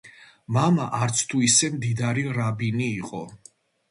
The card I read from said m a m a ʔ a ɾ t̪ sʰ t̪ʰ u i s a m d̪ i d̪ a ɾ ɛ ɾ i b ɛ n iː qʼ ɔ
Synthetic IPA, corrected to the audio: m a m a ʔ a ɾ t̪ sʰ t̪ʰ u i s ɛ m d̪ i d̪ a ɾ i ɾ a b i n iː qʼ ɔ

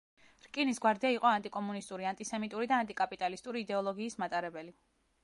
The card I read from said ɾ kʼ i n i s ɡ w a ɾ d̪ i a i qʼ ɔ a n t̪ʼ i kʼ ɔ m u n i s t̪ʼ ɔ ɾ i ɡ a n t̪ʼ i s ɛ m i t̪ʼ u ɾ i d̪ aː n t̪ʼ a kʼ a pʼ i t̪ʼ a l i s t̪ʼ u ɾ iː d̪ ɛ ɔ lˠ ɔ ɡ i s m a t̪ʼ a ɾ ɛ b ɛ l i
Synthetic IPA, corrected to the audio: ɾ kʼ i n i s ɡ w a ɾ d̪ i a i qʼ ɔ a n t̪ʼ i kʼ ɔ m u n i s t̪ʼ u ɾ i a n t̪ʼ i s ɛ m i t̪ʼ u ɾ i d̪ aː n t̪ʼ i kʼ a pʼ i t̪ʼ a l i s t̪ʼ u ɾ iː d̪ ɛ ɔ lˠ ɔ ɡ iː s m a t̪ʼ a ɾ ɛ b ɛ l i

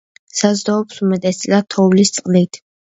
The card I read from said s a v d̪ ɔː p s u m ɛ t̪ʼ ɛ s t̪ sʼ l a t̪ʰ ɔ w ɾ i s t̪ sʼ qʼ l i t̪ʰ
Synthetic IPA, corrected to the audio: s a z d̪ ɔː p s u m ɛ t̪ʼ ɛ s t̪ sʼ l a t̪ʰ ɔ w l i s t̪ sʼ qʼ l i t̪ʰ

